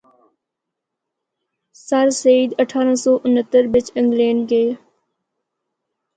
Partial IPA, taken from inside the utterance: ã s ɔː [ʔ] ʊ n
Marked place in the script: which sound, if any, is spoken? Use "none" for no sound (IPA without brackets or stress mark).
ʔ